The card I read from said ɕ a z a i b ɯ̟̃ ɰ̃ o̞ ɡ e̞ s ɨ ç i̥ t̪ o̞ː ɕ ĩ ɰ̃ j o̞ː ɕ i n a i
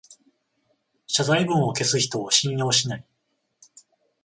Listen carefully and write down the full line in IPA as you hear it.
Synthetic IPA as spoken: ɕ a z a i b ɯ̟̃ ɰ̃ o̞ k e̞ s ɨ ç i̥ t̪ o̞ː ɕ ĩ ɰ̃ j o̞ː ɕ i n a i